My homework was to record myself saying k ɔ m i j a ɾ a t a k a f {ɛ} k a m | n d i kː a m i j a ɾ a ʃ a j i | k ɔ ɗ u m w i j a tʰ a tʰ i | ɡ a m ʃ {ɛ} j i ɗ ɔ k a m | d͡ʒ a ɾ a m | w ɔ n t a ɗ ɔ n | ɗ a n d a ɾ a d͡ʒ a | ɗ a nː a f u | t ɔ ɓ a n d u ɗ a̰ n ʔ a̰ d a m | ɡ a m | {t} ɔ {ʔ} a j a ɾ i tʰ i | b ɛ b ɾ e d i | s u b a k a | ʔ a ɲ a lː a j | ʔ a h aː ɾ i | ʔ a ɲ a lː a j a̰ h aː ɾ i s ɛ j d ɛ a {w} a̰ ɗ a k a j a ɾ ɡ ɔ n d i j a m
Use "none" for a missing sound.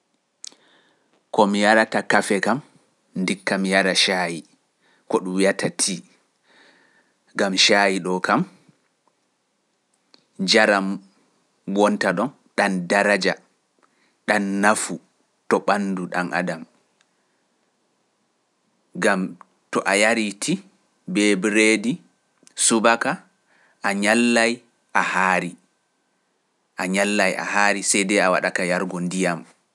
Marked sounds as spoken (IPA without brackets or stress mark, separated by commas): ɛ, a, t, ʔ, w